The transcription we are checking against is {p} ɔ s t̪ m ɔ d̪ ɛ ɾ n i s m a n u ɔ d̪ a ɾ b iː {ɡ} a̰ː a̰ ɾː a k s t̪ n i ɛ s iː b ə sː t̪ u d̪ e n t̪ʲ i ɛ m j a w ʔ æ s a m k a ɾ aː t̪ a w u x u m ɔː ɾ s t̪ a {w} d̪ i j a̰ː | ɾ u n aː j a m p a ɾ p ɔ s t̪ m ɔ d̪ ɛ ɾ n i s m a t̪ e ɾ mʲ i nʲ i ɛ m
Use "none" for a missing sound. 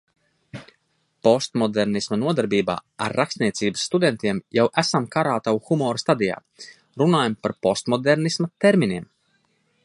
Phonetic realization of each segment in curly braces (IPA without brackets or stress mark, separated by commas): p, b, none